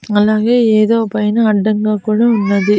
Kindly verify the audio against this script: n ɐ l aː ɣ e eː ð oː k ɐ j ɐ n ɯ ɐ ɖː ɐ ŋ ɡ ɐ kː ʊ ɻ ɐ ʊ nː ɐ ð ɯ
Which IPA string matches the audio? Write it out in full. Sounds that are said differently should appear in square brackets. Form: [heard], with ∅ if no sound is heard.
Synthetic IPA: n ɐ l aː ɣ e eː ð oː [p] ɐ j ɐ n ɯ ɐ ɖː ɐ ŋ ɡ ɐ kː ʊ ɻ ɐ ʊ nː ɐ ð ɯ

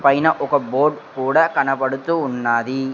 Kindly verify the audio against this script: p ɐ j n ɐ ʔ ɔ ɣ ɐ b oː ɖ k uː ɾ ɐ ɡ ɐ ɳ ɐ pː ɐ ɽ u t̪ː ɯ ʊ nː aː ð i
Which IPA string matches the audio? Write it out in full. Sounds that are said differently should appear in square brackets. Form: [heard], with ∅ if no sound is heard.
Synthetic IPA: p ɐ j n ɐ ʔ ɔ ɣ ɐ b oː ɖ k uː [ɽ] ɐ [k] ɐ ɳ ɐ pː ɐ ɽ [ɯ] t̪ː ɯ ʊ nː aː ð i

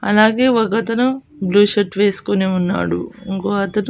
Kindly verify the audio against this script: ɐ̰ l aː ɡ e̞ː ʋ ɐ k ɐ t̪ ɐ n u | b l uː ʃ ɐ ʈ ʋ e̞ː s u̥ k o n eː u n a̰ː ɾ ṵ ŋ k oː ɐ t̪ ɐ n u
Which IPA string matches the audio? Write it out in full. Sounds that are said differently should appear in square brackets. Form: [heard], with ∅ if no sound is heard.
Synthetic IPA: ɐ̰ l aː ɡ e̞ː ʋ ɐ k ɐ t̪ ɐ n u | b l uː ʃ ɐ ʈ ʋ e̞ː s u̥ k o n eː u [nː] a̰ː [ɽ] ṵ ŋ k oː ɐ t̪ ɐ n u

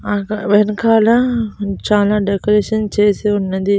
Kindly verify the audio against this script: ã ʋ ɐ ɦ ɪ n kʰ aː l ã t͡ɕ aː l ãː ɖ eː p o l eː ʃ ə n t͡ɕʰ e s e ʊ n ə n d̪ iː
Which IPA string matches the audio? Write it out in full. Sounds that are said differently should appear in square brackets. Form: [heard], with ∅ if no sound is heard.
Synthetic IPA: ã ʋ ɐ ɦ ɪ n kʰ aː l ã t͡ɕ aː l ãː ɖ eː [k] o [ɾ] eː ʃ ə n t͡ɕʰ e s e ʊ n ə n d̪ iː

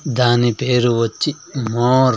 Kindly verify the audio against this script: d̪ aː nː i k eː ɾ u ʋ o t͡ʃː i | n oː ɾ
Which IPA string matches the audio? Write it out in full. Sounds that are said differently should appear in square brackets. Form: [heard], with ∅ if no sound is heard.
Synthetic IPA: d̪ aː [n] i [p] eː ɾ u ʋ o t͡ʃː i | [m] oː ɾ

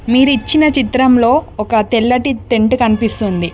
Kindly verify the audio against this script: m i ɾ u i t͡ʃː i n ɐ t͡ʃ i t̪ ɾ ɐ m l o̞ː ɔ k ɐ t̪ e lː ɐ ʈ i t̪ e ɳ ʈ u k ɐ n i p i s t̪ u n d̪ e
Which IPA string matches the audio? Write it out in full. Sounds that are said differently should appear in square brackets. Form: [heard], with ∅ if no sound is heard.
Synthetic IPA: m [iː] ɾ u i t͡ʃː i n ɐ t͡ʃ i t̪ ɾ ɐ m l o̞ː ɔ k ɐ t̪ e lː ɐ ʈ i t̪ e ɳ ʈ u k ɐ n i p i s t̪ u n d̪ [i]

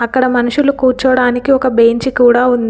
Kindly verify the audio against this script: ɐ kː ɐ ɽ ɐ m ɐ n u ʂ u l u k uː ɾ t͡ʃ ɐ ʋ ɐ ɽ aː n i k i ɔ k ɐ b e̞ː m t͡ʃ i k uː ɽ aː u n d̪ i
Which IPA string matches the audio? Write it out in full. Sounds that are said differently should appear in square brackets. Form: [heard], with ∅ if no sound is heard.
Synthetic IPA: ɐ kː ɐ ɽ ɐ m ɐ n u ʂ u l u k uː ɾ t͡ʃ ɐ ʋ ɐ ɽ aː n i k i ɔ k ɐ b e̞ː [ɲ] t͡ʃ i k uː ɽ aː u n d̪ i

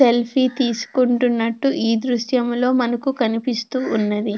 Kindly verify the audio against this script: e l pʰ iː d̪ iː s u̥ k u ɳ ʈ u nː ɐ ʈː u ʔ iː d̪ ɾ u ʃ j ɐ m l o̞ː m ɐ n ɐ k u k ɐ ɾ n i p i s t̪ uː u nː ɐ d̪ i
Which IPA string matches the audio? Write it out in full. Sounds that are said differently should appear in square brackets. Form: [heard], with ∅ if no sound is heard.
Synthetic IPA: e l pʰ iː [t̪] iː s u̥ k u ɳ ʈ u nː ɐ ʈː u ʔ iː d̪ ɾ u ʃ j ɐ m l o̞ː m ɐ n ɐ k u k ɐ [∅] n i p i s t̪ uː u nː ɐ d̪ i

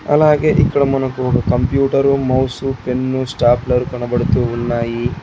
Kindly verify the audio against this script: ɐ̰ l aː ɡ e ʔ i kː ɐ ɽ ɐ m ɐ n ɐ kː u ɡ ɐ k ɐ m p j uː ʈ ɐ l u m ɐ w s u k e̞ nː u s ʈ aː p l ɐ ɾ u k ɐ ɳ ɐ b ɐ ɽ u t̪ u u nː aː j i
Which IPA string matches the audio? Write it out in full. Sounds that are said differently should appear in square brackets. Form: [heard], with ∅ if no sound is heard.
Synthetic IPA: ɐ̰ l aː ɡ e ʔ i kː ɐ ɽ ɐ m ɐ n ɐ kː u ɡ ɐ k ɐ m p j uː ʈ ɐ [ɾ] u m ɐ w s u [p] e̞ nː u s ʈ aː p l ɐ ɾ u k ɐ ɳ ɐ b ɐ ɽ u t̪ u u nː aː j i

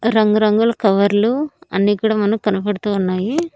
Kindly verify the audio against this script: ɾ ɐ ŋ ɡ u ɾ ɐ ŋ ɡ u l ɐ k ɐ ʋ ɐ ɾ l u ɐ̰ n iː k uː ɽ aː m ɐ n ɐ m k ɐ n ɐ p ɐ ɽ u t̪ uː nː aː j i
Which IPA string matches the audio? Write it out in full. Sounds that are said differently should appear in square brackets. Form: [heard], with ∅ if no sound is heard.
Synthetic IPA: ɾ ɐ ŋ ɡ u ɾ ɐ ŋ ɡ u l ɐ k ɐ ʋ ɐ ɾ l u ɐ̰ [nː] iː k uː ɽ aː m ɐ n ɐ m k ɐ n ɐ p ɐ ɽ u t̪ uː nː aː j i

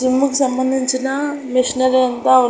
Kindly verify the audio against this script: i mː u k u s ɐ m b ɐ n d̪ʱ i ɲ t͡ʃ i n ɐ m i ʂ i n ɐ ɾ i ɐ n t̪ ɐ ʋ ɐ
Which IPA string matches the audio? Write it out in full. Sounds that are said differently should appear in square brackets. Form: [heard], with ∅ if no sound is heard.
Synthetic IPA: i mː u k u s ɐ m b ɐ n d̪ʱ i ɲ t͡ʃ i n ɐ m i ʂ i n ɐ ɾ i ɐ n t̪ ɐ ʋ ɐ

